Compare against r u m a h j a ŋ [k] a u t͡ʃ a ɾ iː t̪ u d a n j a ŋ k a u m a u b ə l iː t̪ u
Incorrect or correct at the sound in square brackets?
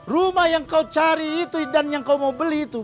correct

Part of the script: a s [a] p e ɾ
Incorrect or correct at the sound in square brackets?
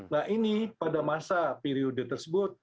correct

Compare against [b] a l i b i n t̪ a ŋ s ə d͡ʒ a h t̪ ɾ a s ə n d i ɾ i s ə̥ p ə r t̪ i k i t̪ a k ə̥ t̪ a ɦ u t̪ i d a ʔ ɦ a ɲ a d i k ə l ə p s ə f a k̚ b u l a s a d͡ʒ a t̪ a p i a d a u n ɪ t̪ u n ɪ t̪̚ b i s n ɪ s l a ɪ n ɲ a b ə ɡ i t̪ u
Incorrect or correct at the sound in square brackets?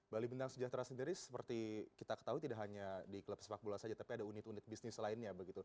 correct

